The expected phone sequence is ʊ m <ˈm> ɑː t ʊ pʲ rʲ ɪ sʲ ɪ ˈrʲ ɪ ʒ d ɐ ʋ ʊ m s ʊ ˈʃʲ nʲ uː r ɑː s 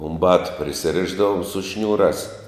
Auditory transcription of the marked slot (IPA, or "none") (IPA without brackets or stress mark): b